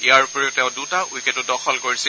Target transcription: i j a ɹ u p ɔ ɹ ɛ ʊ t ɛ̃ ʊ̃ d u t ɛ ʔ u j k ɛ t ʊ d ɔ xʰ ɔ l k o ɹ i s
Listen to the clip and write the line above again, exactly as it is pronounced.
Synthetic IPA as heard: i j a ɹ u p ɔ ɹ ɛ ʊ t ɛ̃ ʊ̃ d u t a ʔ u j k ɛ t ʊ d ɔ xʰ ɔ l k o ɹ i s